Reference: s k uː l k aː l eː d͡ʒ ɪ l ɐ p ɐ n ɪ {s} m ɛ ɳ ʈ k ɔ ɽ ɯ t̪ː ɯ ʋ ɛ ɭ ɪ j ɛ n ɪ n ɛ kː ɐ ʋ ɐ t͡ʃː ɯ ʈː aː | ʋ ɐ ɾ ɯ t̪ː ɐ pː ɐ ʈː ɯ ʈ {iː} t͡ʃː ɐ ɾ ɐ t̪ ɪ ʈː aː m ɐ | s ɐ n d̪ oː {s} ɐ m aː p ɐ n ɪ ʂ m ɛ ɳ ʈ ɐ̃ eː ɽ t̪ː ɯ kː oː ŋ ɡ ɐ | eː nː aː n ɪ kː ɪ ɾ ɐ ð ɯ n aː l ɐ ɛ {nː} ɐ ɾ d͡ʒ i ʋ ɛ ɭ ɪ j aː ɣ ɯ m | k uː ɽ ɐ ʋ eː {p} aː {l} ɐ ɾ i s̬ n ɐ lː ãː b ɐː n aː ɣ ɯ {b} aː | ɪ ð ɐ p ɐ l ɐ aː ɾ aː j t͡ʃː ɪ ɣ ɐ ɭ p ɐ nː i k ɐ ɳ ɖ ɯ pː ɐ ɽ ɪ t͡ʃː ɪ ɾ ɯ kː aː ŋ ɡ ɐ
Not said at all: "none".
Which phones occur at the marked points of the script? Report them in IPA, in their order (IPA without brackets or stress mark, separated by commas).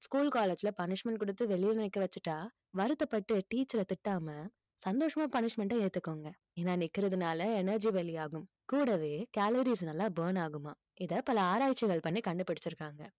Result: ʂ, iː, ʂ, n, k, l, m